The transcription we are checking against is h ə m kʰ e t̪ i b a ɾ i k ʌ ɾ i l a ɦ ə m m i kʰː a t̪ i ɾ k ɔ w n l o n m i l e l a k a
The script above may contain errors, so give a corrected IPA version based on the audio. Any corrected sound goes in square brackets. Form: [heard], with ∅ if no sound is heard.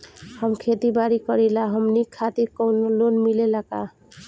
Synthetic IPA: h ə m kʰ e t̪ i b a ɾ i k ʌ ɾ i l a ɦ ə m [n] i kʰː a t̪ i ɾ k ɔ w n l o n m i l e l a k a

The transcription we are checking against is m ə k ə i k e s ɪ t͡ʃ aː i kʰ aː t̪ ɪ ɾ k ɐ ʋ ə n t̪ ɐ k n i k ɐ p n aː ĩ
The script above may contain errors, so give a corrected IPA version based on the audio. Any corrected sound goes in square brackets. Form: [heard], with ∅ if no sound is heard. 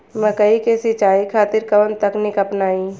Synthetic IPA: m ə k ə i k e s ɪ t͡ʃ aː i kʰ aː t̪ ɪ ɾ k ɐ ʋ ə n t̪ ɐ k n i k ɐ p n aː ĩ

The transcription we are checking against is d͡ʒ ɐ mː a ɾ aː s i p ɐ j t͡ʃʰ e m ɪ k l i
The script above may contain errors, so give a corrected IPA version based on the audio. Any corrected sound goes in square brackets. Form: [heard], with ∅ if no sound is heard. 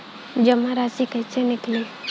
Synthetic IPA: d͡ʒ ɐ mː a ɾ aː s i [k] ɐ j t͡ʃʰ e [n] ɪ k l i

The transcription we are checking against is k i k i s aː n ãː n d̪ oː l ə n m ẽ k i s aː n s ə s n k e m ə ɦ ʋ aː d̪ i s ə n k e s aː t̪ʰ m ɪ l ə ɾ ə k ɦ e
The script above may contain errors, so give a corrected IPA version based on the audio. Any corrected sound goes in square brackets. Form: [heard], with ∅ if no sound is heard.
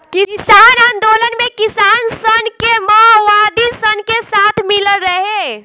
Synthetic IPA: k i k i s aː n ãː n d̪ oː l ə n m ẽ k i s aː n s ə [∅] n k e m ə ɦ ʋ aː d̪ i s ə n k e s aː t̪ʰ m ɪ l ə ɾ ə [∅] ɦ e

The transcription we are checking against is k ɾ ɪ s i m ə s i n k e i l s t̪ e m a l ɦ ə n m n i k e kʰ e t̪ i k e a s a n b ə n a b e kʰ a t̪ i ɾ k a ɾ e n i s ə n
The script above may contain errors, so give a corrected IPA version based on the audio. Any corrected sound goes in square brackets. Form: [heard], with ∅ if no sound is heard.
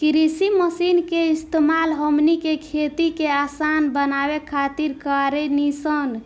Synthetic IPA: k ɾ [i] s i m ə s i n k e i [∅] s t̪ e m a l ɦ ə [∅] m n i k e kʰ e t̪ i k e a s a n b ə n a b e kʰ a t̪ i ɾ k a ɾ e n i s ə n

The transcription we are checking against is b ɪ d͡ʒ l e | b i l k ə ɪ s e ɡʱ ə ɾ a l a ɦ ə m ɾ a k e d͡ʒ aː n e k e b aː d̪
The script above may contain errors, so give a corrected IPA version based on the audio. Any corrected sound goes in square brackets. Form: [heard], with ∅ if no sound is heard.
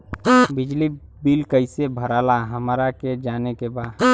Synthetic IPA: b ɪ d͡ʒ l [i] | b i l k ə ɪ s e [bʱ] ə ɾ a l a ɦ ə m ɾ a k e d͡ʒ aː n e k e b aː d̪

